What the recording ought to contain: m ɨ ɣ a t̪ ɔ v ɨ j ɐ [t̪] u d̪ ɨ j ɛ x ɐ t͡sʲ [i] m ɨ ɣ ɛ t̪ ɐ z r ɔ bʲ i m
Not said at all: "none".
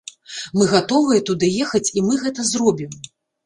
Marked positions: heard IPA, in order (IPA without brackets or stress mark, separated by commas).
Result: t̪, i